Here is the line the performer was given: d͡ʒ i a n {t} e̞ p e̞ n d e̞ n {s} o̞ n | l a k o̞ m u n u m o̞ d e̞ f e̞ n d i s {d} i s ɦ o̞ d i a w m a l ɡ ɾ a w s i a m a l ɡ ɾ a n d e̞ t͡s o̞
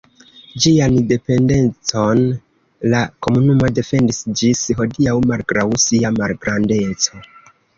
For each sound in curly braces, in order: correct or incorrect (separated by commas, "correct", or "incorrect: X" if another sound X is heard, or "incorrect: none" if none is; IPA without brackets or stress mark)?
incorrect: d, incorrect: t͡s, incorrect: d͡ʒ